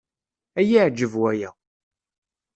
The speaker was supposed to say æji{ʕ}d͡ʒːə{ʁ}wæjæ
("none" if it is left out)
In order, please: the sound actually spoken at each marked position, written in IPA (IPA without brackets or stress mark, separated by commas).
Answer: ʕ, v